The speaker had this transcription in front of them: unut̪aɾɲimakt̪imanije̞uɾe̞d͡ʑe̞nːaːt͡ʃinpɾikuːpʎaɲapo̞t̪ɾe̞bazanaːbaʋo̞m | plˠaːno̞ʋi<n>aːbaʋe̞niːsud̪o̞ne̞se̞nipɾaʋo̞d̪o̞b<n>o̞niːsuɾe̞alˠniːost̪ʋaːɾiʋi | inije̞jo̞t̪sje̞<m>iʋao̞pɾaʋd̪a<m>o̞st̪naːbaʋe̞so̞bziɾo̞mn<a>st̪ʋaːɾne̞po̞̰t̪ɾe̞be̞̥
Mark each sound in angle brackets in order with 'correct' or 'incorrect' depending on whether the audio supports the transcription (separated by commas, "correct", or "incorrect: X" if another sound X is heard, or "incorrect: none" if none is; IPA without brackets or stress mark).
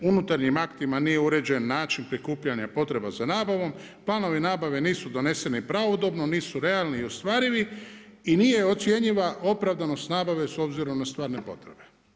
correct, correct, incorrect: ɲ, incorrect: n, correct